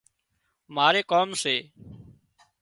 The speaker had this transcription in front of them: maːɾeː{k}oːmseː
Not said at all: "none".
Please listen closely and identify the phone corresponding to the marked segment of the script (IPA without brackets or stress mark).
k